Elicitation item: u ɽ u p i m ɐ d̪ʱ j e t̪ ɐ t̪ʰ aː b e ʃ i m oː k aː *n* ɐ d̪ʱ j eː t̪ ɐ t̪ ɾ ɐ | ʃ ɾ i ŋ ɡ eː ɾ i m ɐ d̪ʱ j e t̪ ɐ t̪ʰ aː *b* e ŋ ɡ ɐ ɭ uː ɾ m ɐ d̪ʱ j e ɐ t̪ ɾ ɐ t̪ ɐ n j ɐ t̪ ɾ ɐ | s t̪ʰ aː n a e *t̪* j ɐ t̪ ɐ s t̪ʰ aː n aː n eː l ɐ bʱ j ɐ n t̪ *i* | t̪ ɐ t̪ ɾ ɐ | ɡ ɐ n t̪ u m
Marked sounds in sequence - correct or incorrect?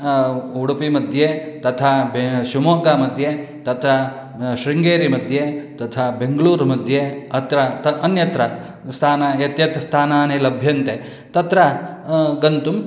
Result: incorrect, correct, correct, incorrect

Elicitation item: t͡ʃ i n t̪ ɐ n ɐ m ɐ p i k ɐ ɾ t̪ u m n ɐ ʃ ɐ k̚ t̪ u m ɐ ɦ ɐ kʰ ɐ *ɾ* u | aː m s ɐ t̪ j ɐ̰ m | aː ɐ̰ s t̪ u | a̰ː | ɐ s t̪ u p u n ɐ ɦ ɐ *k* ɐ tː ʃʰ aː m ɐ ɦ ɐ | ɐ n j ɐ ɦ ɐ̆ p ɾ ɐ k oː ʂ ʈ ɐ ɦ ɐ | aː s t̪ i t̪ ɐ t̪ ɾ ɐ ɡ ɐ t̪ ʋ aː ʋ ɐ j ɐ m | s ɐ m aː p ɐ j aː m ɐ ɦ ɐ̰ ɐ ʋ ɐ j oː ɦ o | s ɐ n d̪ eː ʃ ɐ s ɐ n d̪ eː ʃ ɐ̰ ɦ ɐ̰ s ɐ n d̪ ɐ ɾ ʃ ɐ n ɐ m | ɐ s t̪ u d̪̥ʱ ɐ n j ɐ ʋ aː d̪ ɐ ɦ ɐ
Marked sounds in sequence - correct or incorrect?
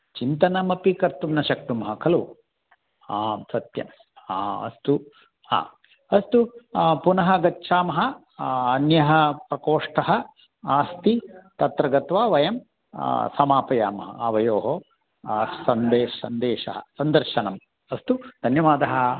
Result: incorrect, incorrect

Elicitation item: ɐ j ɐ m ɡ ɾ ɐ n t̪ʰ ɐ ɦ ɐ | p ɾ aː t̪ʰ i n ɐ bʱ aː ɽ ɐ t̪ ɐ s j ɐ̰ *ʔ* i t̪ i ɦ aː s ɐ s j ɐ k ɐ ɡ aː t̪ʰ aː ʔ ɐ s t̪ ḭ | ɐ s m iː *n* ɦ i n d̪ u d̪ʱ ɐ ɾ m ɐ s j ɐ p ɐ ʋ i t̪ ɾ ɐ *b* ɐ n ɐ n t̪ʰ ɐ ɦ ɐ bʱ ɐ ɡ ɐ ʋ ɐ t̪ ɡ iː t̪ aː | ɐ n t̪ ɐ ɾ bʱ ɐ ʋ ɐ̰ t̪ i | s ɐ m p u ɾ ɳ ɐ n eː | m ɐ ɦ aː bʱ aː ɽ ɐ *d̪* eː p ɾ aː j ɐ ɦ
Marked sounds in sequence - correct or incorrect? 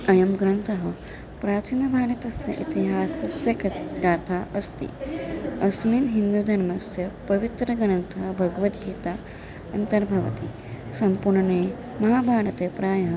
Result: correct, correct, incorrect, incorrect

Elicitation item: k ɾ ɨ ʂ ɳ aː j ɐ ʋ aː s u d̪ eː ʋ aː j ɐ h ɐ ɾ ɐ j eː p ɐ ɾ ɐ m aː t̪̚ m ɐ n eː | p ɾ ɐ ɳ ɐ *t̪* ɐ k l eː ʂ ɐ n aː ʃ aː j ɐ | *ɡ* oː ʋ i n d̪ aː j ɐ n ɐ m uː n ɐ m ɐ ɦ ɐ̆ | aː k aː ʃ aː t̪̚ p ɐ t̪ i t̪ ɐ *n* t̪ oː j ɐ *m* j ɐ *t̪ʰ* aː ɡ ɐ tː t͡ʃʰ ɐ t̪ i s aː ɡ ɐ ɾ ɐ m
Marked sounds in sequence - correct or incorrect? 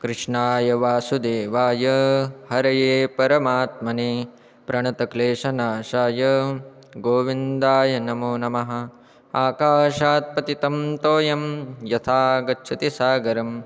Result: correct, correct, incorrect, correct, correct

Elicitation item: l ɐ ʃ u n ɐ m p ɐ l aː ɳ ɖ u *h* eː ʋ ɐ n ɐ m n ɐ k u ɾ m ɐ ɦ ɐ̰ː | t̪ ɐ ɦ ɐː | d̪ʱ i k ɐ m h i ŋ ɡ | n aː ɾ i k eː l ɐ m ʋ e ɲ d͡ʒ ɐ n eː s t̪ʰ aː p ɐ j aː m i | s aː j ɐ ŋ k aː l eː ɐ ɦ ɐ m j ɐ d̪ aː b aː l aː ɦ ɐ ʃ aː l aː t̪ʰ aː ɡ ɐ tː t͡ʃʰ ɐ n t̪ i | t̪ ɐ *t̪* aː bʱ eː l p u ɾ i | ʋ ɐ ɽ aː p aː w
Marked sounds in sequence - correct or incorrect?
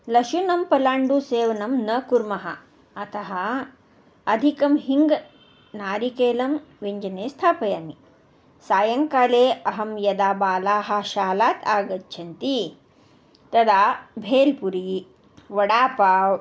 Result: incorrect, incorrect

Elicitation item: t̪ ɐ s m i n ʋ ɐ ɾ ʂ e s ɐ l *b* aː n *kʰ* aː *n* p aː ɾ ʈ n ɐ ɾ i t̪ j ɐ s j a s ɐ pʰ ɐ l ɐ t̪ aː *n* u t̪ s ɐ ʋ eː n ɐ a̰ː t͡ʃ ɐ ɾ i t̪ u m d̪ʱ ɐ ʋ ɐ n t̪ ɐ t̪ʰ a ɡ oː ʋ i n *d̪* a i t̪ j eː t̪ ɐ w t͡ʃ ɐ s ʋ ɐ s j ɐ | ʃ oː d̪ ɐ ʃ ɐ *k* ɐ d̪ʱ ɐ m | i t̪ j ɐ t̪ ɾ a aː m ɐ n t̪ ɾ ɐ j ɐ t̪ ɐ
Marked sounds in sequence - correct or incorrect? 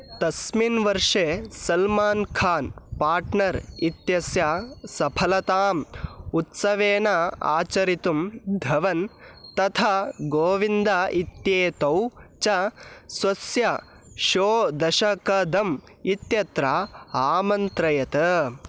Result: incorrect, correct, correct, incorrect, correct, correct

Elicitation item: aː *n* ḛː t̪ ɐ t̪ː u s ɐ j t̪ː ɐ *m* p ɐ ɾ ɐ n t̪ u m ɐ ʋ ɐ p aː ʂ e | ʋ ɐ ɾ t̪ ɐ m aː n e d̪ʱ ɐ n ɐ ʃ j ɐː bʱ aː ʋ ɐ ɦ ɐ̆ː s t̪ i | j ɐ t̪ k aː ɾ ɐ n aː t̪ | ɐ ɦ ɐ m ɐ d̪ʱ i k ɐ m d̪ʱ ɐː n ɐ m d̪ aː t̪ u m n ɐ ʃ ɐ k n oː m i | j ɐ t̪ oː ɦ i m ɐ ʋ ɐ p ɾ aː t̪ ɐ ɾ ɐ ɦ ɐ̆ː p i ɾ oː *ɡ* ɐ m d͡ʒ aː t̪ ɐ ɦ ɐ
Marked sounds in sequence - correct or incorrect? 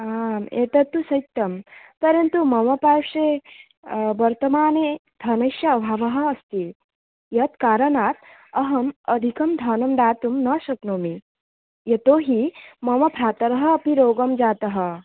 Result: incorrect, correct, correct

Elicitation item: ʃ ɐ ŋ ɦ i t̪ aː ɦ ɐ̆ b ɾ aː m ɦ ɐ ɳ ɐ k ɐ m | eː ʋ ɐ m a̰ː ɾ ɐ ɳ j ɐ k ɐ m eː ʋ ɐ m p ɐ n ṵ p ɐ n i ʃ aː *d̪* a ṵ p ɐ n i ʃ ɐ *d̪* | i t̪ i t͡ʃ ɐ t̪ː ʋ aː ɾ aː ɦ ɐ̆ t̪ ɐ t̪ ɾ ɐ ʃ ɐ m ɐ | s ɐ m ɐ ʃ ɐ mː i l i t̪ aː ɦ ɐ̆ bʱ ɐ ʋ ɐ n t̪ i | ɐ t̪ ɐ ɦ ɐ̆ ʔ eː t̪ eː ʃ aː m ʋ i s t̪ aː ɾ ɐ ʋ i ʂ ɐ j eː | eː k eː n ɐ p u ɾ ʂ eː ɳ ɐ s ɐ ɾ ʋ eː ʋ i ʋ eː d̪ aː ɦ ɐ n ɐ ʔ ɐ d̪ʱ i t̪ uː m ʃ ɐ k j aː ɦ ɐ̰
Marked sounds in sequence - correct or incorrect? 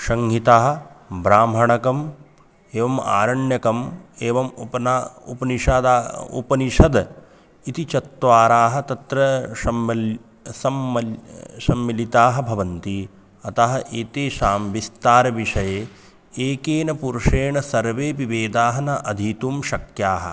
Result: correct, correct

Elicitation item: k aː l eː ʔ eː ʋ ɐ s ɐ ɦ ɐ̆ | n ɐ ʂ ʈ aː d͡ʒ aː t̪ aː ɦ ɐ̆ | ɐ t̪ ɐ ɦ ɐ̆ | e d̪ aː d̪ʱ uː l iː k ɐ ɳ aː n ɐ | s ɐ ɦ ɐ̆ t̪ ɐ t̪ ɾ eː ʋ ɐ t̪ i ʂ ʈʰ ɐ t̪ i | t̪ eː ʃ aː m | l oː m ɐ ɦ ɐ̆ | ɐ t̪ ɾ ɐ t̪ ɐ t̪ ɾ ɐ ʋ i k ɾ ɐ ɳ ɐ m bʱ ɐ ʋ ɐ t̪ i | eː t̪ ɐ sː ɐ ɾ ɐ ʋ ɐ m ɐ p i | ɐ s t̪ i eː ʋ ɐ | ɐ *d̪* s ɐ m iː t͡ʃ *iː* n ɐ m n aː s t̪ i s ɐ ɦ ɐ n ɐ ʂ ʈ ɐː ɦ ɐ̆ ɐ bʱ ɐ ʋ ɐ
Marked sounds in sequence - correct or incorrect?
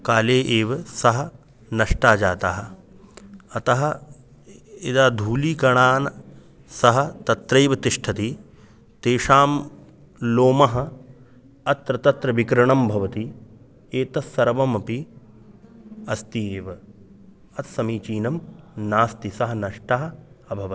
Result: incorrect, correct

